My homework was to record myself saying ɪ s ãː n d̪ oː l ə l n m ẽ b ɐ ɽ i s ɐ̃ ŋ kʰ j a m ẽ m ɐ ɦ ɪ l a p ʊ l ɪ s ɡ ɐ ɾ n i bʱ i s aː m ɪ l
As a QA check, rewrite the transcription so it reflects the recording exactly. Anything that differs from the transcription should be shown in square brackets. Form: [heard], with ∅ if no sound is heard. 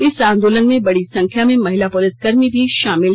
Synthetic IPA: ɪ s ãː n d̪ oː l ə [∅] n m ẽ b ɐ ɽ i s ɐ̃ ŋ kʰ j a m ẽ m ɐ ɦ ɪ l a p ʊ l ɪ s ɡ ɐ ɾ [m] i bʱ i [ʃ] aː m ɪ l